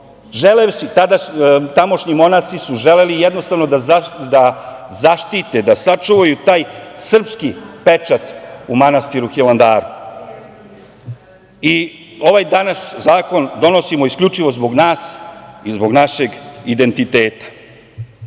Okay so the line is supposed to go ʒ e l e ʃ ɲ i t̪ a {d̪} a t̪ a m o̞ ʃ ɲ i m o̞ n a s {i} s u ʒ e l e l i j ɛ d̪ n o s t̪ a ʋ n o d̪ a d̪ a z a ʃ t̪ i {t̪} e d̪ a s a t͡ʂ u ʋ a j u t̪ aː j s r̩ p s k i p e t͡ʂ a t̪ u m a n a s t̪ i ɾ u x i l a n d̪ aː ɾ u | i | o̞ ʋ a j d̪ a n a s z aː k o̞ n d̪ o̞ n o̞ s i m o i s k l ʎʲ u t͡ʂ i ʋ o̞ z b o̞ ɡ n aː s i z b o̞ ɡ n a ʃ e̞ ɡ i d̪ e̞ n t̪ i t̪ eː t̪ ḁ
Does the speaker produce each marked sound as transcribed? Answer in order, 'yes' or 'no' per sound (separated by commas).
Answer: yes, yes, yes